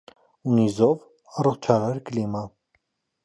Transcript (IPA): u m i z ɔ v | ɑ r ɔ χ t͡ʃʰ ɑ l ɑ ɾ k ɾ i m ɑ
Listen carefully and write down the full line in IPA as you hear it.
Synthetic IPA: u n i z ɔ v | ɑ r ɔ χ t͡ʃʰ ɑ ɾ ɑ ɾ k l i m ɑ